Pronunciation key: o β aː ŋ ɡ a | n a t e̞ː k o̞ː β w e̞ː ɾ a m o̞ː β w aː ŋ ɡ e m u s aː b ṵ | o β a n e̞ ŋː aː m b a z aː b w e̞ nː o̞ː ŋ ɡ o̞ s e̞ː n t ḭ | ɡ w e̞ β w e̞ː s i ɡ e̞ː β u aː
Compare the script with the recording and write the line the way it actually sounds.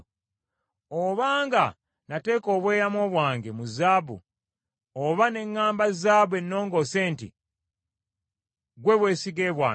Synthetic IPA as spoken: o β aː ŋ ɡ a | n a t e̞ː k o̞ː β w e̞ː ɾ a m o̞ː β w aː ŋ ɡ e m u z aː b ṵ | o β a n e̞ ŋː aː m b a z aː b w e̞ nː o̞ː ŋ ɡ o̞ s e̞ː n t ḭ | ɡ w e̞ β w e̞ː s i ɡ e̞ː β w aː

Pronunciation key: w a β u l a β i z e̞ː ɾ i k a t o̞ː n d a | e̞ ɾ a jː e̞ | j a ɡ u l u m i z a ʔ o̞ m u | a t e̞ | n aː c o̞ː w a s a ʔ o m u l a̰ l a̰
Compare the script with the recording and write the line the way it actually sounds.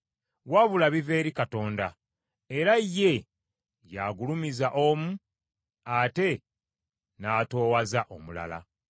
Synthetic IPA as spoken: w a β u l a β i v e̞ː ɾ i k a t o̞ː n d a | e̞ ɾ a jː e̞ | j a ɡ u l u m i z a ʔ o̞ m u | a t e̞ | n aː t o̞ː w a z a ʔ o m u l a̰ l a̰

